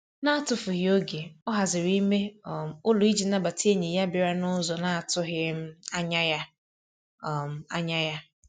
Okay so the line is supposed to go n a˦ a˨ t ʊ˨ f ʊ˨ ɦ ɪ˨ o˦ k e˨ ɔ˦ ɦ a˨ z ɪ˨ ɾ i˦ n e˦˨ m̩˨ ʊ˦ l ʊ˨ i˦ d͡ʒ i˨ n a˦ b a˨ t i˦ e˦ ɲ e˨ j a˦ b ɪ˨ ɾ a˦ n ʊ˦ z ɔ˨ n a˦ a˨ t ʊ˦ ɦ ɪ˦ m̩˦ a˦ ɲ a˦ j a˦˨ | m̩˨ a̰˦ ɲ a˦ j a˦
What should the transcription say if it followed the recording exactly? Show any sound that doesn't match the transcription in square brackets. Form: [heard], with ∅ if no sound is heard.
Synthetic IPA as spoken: n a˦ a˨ t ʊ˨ f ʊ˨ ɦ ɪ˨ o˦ [ɡ] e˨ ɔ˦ ɦ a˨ z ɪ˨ ɾ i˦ [m] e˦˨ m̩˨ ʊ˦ l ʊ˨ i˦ d͡ʒ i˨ n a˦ b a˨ t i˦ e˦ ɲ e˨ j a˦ b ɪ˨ ɾ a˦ n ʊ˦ z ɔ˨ n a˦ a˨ t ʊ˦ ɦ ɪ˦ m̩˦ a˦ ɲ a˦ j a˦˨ | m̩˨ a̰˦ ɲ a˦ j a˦